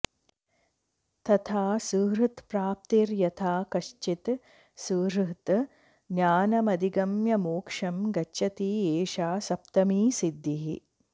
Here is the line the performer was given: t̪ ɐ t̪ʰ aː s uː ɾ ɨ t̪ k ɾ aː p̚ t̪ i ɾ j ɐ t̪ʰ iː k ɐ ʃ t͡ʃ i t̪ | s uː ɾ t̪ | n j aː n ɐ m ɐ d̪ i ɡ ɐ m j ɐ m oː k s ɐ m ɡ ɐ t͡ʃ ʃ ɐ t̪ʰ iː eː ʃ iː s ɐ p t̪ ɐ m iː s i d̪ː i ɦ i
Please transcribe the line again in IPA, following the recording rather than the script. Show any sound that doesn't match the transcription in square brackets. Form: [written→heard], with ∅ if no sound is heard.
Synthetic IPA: t̪ ɐ t̪ʰ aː s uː ɾ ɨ t̪ [k→p] ɾ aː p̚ t̪ i ɾ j ɐ t̪ʰ [iː→aː] k ɐ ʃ t͡ʃ i t̪ | s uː ɾ t̪ | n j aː n ɐ m ɐ d̪ i ɡ ɐ m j ɐ m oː k [s→ʂ] ɐ m ɡ ɐ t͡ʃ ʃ ɐ [t̪ʰ→t̪] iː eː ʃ [iː→aː] s ɐ p t̪ ɐ m iː s i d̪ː i ɦ i